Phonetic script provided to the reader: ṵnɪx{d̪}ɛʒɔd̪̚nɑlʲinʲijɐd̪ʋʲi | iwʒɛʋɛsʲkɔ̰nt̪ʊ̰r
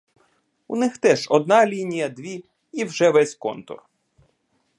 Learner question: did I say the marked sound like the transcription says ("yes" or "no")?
no